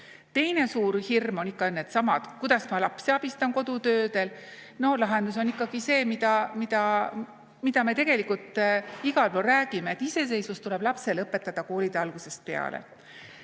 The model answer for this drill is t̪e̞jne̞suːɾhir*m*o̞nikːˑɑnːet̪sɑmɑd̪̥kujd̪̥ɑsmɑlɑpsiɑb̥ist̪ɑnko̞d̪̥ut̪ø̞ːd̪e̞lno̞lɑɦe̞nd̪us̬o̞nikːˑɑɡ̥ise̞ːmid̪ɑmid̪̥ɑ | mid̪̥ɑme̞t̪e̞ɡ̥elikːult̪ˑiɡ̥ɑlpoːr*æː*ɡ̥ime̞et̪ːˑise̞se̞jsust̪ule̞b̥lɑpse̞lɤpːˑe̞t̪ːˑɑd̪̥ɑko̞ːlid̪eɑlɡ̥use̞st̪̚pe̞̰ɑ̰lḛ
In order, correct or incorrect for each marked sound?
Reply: correct, correct

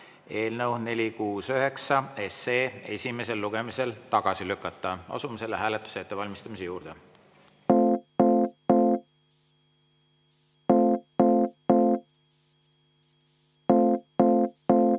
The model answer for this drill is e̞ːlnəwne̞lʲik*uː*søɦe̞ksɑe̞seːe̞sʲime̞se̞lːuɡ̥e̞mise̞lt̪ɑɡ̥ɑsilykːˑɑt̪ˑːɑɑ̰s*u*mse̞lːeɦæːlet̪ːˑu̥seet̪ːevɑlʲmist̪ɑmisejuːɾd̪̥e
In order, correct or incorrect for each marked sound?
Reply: correct, correct

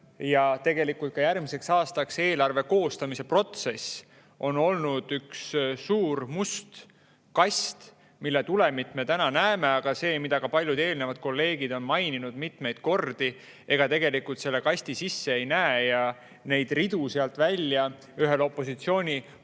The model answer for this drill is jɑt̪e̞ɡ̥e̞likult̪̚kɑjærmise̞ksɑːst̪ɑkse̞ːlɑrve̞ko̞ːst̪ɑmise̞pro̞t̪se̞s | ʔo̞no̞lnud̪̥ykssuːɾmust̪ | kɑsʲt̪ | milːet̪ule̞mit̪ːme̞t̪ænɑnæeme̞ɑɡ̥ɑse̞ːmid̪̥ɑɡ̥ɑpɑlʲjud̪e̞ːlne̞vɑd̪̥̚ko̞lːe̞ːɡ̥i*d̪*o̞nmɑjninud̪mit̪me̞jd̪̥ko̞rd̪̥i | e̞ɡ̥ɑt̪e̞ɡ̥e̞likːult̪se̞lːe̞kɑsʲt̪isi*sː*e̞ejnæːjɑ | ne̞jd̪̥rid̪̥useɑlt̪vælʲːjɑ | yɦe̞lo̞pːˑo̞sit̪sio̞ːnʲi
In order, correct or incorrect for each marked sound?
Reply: correct, correct

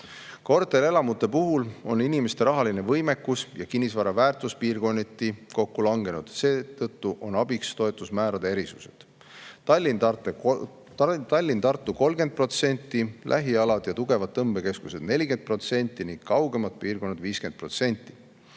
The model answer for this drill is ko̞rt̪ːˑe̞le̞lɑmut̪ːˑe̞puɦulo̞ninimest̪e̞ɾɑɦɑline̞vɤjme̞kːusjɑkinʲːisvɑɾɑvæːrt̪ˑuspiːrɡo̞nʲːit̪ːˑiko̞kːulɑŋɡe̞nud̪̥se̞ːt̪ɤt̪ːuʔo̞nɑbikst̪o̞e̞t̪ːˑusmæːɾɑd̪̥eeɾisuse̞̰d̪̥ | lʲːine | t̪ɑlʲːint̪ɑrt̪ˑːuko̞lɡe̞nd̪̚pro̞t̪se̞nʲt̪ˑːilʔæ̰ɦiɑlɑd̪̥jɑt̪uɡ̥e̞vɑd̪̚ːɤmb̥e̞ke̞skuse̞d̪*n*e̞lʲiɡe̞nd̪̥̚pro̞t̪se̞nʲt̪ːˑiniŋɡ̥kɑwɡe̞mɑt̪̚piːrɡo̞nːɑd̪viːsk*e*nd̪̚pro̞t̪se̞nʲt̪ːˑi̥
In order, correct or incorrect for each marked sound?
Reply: correct, correct

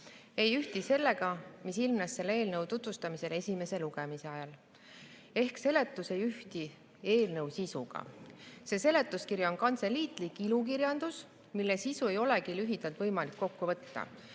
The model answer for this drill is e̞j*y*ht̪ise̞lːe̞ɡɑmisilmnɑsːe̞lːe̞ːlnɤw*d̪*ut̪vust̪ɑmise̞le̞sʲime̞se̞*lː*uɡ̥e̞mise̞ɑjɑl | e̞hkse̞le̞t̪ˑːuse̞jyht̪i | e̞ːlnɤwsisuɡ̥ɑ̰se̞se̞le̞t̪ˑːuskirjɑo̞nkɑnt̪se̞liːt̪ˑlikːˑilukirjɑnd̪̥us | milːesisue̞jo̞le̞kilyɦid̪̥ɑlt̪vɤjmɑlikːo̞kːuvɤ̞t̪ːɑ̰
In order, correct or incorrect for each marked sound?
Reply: correct, incorrect: t̪, incorrect: l

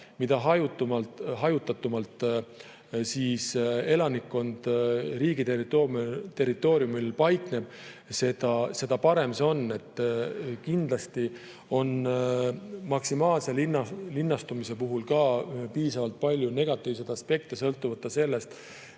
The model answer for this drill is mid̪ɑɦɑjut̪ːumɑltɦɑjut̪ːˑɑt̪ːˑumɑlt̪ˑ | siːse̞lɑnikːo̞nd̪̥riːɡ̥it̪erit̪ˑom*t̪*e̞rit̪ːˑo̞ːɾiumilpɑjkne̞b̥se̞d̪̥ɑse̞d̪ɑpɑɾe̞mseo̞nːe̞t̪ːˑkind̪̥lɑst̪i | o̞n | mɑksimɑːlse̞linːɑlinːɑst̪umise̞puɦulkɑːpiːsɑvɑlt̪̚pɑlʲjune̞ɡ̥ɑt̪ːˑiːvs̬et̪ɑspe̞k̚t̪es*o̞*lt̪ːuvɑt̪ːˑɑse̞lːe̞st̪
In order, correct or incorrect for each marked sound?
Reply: correct, incorrect: ɤ̞

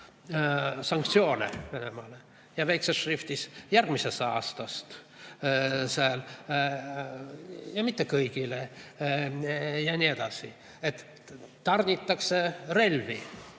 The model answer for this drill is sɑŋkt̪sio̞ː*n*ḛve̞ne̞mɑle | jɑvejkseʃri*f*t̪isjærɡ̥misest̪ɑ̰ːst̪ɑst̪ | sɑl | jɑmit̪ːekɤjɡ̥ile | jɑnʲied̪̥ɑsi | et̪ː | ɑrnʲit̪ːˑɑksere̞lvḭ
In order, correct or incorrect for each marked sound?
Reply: correct, correct

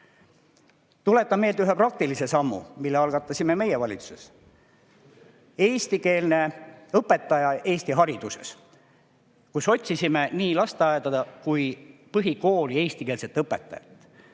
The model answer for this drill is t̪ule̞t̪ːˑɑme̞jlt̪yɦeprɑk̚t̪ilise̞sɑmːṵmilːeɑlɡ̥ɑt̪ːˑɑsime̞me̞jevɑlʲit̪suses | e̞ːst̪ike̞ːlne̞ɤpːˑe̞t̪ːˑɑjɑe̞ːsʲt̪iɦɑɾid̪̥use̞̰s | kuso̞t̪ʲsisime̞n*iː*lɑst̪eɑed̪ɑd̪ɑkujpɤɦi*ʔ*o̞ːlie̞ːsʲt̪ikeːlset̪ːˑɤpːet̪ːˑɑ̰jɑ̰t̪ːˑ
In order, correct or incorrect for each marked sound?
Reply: correct, incorrect: k

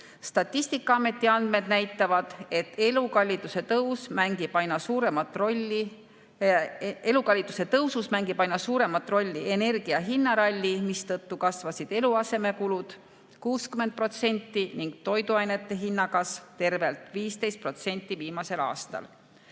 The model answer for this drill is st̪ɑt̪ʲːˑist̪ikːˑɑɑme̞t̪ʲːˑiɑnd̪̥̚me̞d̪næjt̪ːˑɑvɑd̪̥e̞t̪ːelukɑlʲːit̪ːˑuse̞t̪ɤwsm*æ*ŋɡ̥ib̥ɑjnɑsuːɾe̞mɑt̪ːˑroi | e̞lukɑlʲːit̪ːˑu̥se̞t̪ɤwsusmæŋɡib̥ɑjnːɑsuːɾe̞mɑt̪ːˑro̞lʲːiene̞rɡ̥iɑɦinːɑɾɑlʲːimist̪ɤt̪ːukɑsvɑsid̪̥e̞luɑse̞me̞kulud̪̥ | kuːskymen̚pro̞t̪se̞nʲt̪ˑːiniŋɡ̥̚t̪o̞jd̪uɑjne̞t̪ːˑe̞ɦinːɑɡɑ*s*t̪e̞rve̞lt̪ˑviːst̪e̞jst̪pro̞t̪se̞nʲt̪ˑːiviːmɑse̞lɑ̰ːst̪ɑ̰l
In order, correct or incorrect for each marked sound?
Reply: correct, correct

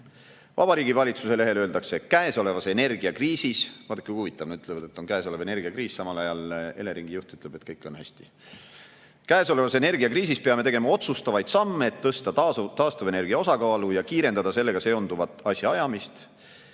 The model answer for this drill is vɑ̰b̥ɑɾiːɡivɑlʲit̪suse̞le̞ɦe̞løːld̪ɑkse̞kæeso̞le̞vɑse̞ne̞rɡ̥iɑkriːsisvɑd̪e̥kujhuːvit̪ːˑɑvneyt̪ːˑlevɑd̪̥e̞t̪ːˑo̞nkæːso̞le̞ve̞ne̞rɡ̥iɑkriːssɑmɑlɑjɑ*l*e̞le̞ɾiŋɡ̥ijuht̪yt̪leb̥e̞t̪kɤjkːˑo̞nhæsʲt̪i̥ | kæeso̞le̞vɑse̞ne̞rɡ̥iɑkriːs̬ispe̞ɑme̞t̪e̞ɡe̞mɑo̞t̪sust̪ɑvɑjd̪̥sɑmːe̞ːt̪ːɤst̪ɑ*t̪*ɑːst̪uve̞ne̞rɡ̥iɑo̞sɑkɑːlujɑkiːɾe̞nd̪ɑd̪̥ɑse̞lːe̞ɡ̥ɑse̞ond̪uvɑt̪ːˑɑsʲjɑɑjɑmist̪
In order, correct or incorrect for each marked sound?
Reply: correct, correct

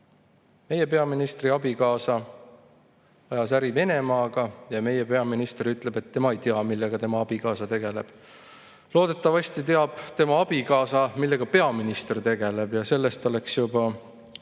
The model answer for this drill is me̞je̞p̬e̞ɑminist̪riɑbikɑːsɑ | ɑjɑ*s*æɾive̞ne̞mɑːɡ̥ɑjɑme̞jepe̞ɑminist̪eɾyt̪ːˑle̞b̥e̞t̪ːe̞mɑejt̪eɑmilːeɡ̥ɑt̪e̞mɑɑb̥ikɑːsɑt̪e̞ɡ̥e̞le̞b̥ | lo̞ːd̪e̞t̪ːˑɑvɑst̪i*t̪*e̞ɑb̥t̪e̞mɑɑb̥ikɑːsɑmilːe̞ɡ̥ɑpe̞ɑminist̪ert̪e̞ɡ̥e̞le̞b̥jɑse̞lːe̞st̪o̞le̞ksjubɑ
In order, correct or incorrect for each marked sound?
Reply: correct, correct

